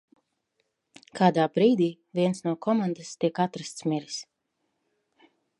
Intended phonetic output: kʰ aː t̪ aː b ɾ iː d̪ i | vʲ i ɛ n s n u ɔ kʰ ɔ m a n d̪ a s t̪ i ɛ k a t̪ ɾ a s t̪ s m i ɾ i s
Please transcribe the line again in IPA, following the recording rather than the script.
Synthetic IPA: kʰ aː d̪ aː b ɾ iː d̪ iː | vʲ i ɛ n s n u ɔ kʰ ɔ m a n d̪ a s t̪ i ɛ k a t̪ ɾ a s t̪ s m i ɾ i s

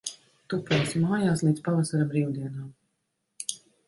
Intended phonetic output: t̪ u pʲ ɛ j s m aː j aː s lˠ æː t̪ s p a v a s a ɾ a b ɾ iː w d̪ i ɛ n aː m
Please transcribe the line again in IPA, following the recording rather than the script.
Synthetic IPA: t̪ u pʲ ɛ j s m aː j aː s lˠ iː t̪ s p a v a s a ɾ a b ɾ iː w d̪ i ɛ n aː m

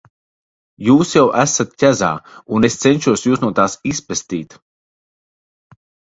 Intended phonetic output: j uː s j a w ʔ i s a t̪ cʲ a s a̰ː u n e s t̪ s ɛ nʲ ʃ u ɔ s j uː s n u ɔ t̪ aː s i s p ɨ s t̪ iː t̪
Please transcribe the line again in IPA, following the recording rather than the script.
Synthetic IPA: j uː s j a w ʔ æ s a t̪ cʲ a z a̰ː u n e s t̪ s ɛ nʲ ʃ u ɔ s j uː s n u ɔ t̪ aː s i s p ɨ s t̪ iː t̪

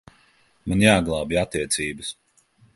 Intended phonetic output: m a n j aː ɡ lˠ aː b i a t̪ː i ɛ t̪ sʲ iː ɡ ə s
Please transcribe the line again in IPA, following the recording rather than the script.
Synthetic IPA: m a n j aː ɡ lˠ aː b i a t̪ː i ɛ t̪ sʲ iː b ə s

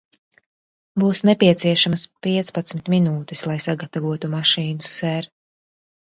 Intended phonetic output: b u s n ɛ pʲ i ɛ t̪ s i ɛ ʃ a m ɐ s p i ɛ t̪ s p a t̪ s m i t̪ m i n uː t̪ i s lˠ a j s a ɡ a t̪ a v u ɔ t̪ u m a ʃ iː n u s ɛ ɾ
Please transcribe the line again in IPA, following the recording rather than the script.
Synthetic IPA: b uː s n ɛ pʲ i ɛ t̪ s i ɛ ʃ a m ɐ s p i ɛ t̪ s p a t̪ s m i t̪ m i n uː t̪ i s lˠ a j s a ɡ a t̪ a v u ɔ t̪ u m a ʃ iː n u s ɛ ɾ

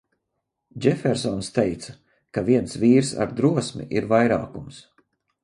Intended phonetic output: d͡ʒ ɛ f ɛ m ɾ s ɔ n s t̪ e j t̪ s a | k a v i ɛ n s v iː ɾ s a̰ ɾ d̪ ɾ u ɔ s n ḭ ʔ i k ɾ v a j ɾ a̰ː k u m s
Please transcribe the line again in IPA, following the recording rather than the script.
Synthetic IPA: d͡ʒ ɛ f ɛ ɾ s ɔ n s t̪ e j t̪ s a | k a v i ɛ n s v iː ɾ s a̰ ɾ d̪ ɾ u ɔ s m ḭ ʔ i ɾ v a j ɾ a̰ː k u m s

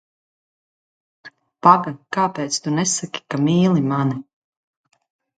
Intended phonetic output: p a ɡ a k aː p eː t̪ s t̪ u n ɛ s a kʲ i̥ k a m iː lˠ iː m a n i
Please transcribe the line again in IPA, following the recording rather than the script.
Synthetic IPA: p a ɡ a k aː p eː t̪ s t̪ u n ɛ s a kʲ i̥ k a m iː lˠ i m a n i

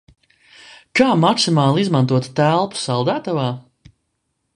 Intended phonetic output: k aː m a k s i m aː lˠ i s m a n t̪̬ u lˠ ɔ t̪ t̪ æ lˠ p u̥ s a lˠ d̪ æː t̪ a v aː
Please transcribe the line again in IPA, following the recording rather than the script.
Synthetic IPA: k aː m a k s i m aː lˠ i z m a n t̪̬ u ɔ t̪ t̪ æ lˠ p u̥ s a lˠ d̪ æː t̪ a v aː

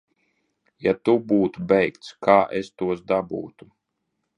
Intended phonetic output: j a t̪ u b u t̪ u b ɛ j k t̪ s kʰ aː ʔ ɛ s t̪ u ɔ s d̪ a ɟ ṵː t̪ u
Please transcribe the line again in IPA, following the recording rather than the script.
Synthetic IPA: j a t̪ u b uː t̪ u b ɛ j k t̪ s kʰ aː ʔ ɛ s t̪ u ɔ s d̪ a b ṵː t̪ u

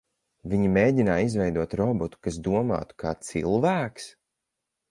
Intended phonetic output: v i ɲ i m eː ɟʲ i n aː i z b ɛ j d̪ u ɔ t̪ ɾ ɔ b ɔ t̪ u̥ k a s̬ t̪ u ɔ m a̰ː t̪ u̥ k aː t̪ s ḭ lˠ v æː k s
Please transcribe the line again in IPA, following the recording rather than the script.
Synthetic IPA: v i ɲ i m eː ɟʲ i n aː i z v ɛ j d̪ u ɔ t̪ ɾ ɔ b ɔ t̪ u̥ k a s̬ d̪ u ɔ m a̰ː t̪ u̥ k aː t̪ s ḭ lˠ v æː k s

